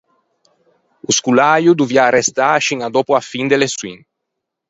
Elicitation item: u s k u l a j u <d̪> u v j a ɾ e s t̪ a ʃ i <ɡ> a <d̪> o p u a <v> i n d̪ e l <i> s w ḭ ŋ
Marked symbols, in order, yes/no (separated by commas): yes, no, yes, no, no